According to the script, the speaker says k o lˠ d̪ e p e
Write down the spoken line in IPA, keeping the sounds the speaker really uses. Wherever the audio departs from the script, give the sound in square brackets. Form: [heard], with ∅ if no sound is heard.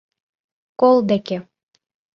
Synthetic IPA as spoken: k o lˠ d̪ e [k] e